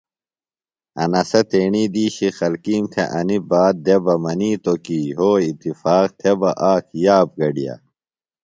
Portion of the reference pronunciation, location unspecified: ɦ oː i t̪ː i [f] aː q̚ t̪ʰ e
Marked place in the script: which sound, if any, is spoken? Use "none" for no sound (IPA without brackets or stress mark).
f